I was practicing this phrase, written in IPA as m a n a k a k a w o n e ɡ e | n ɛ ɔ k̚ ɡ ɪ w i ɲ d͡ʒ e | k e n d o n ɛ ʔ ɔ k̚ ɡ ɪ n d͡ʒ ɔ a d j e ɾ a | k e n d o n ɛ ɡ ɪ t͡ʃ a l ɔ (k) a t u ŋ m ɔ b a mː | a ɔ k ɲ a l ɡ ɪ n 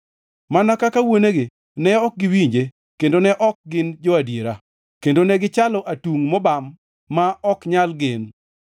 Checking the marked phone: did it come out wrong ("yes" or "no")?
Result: yes